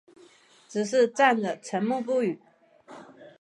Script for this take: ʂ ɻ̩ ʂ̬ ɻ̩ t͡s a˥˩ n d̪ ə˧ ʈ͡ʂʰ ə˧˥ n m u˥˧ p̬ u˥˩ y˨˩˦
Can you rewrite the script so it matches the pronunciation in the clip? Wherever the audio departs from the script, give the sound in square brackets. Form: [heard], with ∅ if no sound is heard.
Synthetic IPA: [ʈ͡ʂ] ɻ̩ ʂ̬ ɻ̩ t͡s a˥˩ n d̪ [ə˩] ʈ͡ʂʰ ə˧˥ n m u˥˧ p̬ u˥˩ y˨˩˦